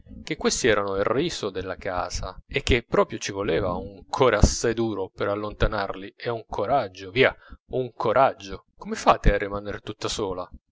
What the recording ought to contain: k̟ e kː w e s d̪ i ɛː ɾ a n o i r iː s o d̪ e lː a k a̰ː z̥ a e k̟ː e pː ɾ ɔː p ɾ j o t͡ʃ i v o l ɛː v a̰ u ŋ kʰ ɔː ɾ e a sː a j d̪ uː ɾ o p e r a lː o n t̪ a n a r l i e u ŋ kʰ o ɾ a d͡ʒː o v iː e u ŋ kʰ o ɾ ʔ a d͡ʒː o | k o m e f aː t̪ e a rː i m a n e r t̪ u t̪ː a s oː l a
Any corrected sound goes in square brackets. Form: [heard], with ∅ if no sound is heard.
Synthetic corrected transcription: k̟ e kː w e s [t̪] i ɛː ɾ a n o i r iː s o d̪ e lː a k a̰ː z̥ a e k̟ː e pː ɾ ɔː p ɾ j o t͡ʃ i v o l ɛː v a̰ u ŋ kʰ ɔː ɾ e a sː a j d̪ uː ɾ o p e [ɾ] a lː o n t̪ a n a r l i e u ŋ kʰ o ɾ a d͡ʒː o v iː [a] u ŋ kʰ o ɾ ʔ a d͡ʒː o | k o m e f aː t̪ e a rː i m a n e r t̪ u t̪ː a s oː l a